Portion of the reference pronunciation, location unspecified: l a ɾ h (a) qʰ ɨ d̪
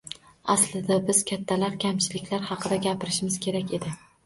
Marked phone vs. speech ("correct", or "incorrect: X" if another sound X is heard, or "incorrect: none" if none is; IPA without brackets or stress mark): incorrect: ɑ